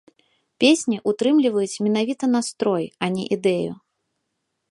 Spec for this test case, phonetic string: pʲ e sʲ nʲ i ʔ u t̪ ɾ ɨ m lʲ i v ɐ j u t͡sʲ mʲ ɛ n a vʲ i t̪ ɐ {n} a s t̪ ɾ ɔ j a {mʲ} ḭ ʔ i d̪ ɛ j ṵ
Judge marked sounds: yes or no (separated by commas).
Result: yes, no